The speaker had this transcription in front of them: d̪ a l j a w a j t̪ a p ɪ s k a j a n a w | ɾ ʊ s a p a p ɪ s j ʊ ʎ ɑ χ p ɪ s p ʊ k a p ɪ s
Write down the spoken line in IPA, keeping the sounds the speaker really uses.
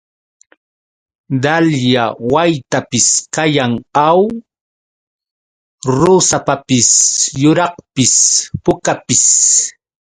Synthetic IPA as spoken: d̪ a l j a w a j t̪ a p ɪ s k a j a ŋ a w | ɾ ʊ s a p a p ɪ s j ʊ ɾ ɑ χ p ɪ s p ʊ k a p ɪ s